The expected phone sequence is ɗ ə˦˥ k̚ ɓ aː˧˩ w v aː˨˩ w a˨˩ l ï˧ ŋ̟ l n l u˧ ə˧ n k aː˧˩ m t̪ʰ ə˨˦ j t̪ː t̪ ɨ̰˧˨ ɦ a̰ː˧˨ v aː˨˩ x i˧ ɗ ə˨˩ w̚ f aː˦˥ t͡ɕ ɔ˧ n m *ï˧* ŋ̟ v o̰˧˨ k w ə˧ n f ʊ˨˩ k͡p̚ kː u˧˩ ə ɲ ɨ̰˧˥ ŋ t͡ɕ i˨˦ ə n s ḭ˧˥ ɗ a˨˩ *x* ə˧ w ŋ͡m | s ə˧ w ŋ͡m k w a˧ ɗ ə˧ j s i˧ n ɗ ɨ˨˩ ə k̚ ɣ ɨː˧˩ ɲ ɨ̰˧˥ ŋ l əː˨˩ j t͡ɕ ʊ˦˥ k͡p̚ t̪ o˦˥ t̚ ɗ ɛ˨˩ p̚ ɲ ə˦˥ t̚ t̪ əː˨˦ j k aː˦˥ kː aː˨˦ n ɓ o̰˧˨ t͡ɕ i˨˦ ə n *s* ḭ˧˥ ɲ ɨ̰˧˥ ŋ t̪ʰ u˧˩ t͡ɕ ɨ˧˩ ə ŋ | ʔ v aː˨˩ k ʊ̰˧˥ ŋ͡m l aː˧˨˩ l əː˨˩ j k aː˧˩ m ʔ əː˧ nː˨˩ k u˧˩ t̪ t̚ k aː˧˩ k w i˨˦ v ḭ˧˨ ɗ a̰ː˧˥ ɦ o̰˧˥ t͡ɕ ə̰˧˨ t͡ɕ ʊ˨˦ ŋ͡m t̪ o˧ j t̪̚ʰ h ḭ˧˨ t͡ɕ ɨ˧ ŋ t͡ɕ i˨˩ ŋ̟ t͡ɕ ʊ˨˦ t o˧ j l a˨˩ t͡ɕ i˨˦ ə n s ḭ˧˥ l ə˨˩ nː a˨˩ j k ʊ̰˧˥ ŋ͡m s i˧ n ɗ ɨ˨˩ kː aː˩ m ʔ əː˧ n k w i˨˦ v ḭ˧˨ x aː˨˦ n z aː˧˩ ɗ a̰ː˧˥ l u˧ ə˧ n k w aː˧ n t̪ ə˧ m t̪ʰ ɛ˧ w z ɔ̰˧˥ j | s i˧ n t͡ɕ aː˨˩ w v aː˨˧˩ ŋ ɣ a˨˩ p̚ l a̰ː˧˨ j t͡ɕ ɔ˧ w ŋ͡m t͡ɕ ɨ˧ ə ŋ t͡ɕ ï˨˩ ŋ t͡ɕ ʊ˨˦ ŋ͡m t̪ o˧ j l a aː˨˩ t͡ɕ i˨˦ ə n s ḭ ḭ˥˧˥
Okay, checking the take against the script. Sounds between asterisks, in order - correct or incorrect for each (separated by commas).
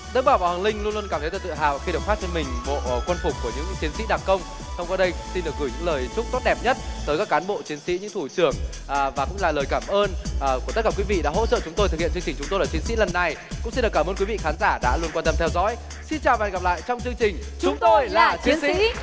incorrect, incorrect, correct